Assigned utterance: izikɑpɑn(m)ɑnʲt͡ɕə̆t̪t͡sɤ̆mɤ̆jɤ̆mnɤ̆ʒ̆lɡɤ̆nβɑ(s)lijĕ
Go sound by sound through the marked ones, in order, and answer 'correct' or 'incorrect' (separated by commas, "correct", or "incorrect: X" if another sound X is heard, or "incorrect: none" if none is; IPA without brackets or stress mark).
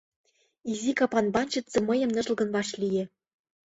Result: incorrect: b, incorrect: ʃ